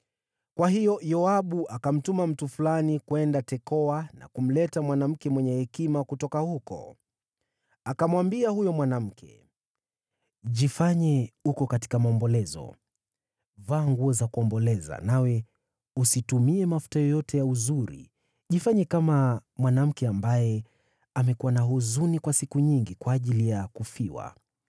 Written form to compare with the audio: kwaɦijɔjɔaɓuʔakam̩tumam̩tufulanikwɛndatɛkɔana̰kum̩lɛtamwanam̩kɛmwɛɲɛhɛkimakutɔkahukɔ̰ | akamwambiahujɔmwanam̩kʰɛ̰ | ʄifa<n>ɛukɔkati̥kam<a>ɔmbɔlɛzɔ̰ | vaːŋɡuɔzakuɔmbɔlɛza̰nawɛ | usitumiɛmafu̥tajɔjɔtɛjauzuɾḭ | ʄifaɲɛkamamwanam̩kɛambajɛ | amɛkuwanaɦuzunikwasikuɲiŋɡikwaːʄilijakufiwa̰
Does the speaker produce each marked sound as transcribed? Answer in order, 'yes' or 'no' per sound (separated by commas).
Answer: no, yes